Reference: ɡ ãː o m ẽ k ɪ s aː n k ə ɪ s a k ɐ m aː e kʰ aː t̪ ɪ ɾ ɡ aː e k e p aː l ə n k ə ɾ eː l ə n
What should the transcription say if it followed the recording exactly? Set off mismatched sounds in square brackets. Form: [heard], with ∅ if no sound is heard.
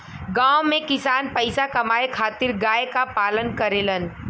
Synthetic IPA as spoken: ɡ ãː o m ẽ k ɪ s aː n [p] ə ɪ s a k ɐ m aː e kʰ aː t̪ ɪ ɾ ɡ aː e k [a] p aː l ə n k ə ɾ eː l ə n